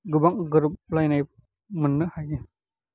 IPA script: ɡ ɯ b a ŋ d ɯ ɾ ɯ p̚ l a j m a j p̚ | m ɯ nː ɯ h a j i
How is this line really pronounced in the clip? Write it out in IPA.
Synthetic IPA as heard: ɡ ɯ b a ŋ ɡ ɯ ɾ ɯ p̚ l a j n a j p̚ | m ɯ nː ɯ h a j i